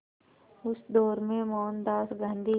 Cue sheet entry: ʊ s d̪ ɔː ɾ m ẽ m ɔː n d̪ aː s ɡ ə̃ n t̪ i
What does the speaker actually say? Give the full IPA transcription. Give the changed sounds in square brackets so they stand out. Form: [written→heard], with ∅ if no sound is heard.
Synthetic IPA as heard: ʊ s d̪ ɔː ɾ m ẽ m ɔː n d̪ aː s ɡ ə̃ n [t̪→d̪] i